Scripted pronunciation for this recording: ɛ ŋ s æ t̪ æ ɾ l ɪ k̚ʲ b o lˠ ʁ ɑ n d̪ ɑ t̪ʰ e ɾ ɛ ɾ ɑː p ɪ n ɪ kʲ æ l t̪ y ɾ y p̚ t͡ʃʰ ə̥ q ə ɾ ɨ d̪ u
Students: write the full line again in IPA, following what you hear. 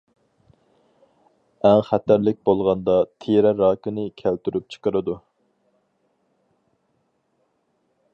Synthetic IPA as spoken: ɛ ŋ χ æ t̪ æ ɾ l ɪ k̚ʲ b o lˠ ʁ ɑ n d̪ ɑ t̪ʰ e ɾ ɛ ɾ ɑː k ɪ n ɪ kʲʰ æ l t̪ y ɾ y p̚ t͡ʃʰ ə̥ q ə ɾ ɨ d̪ u